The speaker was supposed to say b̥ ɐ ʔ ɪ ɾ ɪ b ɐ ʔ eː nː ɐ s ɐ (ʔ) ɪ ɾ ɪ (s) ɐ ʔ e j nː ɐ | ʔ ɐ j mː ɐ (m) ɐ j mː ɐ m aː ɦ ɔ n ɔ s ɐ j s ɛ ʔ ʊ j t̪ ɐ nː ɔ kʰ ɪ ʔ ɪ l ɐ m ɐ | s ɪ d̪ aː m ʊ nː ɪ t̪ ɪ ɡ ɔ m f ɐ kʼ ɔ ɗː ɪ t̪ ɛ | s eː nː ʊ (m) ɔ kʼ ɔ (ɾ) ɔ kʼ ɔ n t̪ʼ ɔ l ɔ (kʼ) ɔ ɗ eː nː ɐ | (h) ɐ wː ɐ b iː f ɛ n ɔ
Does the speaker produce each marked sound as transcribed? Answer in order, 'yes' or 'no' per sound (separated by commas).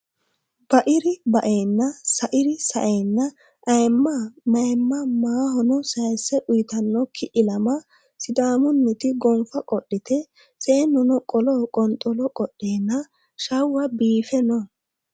yes, yes, yes, no, no, yes, no